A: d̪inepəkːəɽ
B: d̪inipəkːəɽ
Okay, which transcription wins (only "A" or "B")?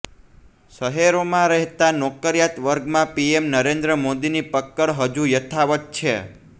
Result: B